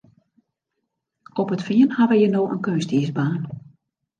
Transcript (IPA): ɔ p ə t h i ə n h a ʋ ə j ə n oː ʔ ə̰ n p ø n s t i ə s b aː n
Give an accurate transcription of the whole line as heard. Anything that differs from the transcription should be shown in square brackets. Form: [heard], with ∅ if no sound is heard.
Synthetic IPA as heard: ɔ p ə t [f] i ə n h a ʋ ə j ə n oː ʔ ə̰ n [k] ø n s t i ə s b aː n